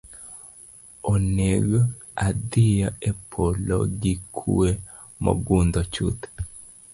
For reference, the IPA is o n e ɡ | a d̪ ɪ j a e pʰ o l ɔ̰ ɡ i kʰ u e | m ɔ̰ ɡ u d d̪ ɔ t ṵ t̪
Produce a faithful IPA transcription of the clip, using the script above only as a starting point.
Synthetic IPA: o n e ɡ | a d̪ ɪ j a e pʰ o l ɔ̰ ɡ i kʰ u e | m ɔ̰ ɡ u n d̪ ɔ t͡ʃ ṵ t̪